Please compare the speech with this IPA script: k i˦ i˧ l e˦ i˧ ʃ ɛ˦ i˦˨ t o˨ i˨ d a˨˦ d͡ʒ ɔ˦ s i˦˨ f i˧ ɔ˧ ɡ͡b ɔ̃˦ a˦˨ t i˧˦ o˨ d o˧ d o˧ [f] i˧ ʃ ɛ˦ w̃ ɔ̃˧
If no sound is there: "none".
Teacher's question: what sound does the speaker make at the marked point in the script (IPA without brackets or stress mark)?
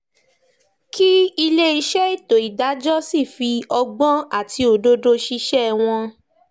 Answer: ʃ